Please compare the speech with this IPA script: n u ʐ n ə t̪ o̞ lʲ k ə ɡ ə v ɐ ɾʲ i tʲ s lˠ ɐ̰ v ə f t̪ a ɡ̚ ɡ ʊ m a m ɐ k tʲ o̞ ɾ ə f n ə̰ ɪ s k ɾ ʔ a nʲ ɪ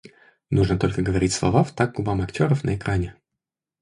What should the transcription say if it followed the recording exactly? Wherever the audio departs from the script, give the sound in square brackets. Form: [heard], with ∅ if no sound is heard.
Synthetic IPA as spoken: n u ʐ n ə t̪ o̞ lʲ k ə ɡ ə v ɐ ɾʲ i tʲ s lˠ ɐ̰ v [a] f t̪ a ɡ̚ ɡ ʊ [b] a m ɐ k tʲ o̞ ɾ ə f n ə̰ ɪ [∅] k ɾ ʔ a nʲ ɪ